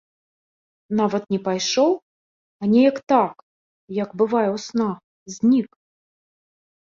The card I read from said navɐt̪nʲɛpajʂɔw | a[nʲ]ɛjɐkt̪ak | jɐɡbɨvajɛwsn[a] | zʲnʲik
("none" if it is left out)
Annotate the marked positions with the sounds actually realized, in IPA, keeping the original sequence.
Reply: nʲ, a

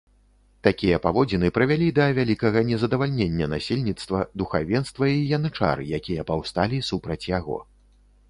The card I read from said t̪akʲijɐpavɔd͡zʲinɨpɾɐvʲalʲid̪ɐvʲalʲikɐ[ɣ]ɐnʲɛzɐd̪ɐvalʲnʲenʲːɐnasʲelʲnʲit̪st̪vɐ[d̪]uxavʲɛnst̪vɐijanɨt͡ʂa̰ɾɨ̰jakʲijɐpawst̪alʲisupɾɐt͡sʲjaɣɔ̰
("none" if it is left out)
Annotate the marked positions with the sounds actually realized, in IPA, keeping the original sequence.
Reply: ɣ, d̪

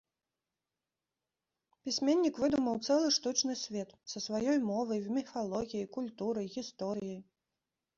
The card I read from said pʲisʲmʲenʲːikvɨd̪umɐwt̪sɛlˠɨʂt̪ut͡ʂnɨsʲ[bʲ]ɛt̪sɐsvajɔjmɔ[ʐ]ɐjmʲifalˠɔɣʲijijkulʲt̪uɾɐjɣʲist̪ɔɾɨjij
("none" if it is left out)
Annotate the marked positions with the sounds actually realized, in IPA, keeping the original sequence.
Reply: vʲ, v

